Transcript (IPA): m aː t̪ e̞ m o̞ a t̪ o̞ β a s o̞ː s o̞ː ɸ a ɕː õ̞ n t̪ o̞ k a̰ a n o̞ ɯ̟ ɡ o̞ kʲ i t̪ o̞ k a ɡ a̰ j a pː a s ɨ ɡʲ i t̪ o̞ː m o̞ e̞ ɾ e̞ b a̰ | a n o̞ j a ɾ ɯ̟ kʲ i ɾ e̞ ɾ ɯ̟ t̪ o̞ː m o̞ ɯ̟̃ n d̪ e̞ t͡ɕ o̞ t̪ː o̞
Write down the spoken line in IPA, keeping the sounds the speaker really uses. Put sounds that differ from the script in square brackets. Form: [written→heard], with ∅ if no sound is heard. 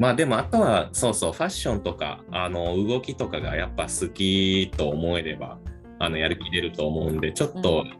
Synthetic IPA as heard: m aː [t̪→d̪] e̞ m o̞ a t̪ o̞ β a s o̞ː s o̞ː ɸ a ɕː õ̞ n t̪ o̞ k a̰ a n o̞ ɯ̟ ɡ o̞ kʲ i t̪ o̞ k a ɡ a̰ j a pː a s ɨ [ɡʲ→kʲ] i t̪ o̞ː m o̞ e̞ ɾ e̞ b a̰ | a n o̞ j a ɾ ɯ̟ kʲ i ɾ e̞ ɾ ɯ̟ t̪ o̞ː m o̞ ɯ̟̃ n d̪ e̞ t͡ɕ o̞ t̪ː o̞